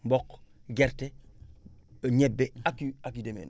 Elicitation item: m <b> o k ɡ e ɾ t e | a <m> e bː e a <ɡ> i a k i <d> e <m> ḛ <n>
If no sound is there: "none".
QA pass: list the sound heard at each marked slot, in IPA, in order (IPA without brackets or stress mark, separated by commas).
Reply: b, ɲ, k, d, m, n